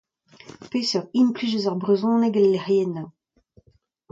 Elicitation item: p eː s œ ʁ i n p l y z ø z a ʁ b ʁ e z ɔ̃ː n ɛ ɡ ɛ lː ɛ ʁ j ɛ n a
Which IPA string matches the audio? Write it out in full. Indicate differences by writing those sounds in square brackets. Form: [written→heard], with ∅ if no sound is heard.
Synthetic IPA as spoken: p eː s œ ʁ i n p l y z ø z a ʁ b ʁ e z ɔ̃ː n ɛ ɡ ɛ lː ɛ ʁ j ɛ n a